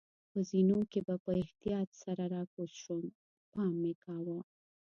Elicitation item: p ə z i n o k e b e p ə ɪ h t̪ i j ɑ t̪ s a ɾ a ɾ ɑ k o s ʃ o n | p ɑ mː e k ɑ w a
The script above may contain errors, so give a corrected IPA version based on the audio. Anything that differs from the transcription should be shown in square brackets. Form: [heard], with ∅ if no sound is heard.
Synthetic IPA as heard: p ə z i n o k e b [a] p ə ɪ h t̪ i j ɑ t̪ s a ɾ a ɾ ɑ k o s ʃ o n | p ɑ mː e k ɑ w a

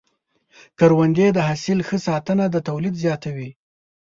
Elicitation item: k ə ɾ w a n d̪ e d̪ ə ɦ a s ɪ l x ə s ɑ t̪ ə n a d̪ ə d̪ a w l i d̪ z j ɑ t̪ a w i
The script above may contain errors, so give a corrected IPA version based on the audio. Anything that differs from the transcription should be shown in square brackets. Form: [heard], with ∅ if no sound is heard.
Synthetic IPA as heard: k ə ɾ w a n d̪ e d̪ ə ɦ a s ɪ l x ə s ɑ t̪ ə n a d̪ ə [t̪] a w l i d̪ z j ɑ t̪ a w i

